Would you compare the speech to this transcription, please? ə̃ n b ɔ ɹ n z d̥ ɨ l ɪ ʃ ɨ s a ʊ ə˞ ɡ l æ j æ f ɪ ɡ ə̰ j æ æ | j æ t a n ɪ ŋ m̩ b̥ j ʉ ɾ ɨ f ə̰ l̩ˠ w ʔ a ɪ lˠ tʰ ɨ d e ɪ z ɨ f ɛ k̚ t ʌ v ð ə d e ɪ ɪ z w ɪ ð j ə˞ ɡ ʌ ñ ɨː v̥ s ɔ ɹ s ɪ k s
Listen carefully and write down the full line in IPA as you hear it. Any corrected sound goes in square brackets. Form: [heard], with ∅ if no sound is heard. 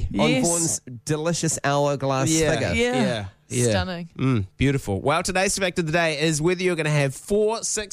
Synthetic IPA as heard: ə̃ n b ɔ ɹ n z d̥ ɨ l ɪ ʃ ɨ s a ʊ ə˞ ɡ l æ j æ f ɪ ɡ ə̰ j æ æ | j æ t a n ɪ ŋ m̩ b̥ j ʉ ɾ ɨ f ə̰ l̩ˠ w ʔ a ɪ lˠ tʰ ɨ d e ɪ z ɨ f ɛ k̚ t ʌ v ð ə d e ɪ ɪ z w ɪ ð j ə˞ ɡ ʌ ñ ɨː v̥ [f] ɔ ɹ s ɪ k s